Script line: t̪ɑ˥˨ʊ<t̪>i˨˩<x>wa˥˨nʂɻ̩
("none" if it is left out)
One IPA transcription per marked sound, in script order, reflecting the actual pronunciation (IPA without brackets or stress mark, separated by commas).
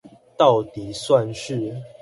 t̪, s